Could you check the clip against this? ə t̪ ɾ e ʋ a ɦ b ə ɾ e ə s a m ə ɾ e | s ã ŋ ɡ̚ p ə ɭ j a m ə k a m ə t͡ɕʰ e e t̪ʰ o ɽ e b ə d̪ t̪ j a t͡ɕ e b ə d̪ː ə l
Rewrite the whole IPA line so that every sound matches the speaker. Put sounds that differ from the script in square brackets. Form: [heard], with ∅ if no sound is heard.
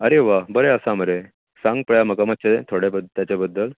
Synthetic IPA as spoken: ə [∅] ɾ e ʋ a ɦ b ə ɾ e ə s a m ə ɾ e | s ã ŋ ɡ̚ p ə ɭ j a m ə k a m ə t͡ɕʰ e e t̪ʰ o ɽ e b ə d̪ t̪ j a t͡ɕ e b ə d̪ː ə l